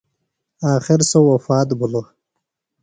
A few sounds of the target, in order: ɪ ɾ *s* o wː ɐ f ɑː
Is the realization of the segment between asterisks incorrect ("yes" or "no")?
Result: no